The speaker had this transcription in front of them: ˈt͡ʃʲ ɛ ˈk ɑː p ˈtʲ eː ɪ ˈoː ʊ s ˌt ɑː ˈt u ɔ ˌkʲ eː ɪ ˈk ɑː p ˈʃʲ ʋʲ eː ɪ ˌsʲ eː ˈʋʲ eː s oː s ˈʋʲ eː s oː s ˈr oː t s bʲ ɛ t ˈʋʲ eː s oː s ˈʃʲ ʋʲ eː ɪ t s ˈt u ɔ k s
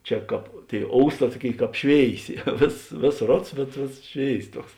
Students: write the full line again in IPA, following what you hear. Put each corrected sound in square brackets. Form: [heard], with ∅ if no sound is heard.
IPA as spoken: ˈt͡ʃʲ ɛ ˈk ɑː p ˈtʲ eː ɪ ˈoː ʊ s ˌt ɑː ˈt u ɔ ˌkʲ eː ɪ ˈk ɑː p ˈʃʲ ʋʲ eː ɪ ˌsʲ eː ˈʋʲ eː s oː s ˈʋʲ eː s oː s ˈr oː t s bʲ ɛ t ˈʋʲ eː s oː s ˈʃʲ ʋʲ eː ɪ [∅] s ˈt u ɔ k s